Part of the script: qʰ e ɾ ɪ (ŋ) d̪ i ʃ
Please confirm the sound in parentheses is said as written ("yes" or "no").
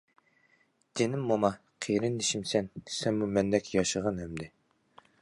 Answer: no